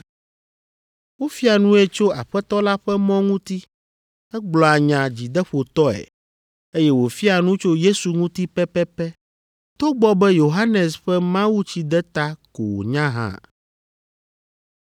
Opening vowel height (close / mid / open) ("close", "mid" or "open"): mid